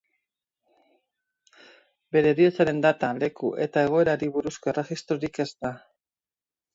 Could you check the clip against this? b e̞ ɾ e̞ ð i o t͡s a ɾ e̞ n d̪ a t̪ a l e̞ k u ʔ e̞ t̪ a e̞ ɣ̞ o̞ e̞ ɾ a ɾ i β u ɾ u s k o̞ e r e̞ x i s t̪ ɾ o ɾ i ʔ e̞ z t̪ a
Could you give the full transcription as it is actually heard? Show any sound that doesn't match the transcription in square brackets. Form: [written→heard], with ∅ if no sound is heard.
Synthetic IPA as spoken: b e̞ ɾ e̞ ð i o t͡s a ɾ e̞ n d̪ a t̪ a l e̞ k u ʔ e̞ t̪ a e̞ ɣ̞ o̞ e̞ ɾ a ɾ i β u ɾ u s k o̞ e r e̞ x i s t̪ ɾ o ɾ i [ʔ→k] e̞ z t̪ a